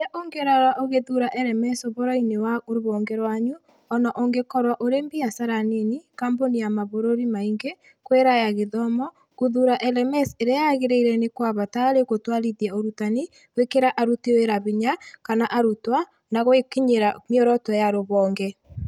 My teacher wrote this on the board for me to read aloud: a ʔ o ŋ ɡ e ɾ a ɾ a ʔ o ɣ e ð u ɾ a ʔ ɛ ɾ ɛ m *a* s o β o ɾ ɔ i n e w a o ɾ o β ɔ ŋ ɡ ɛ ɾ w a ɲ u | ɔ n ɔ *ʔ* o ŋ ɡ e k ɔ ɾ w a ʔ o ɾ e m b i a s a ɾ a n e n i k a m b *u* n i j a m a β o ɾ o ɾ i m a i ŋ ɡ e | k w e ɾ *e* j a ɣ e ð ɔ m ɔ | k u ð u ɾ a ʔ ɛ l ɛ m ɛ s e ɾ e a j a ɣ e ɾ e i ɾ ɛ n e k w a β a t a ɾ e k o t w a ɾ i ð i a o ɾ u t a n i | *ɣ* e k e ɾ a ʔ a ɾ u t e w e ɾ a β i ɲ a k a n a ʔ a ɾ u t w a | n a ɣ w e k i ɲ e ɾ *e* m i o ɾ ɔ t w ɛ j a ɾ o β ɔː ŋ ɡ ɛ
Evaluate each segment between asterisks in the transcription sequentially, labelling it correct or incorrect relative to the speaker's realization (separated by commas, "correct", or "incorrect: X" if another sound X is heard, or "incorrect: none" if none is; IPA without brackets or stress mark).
incorrect: ɛ, correct, incorrect: o, incorrect: a, incorrect: w, incorrect: a